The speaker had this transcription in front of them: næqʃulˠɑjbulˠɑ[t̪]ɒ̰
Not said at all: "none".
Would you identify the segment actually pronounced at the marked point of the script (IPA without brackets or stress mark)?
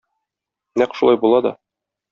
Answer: d̪